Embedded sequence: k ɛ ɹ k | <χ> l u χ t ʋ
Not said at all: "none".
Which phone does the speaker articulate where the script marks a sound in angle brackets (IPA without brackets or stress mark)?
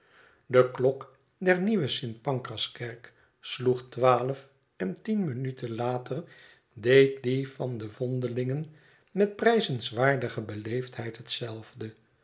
s